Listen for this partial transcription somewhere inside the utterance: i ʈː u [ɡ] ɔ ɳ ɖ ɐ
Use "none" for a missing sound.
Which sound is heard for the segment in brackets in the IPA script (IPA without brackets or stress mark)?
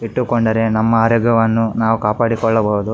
k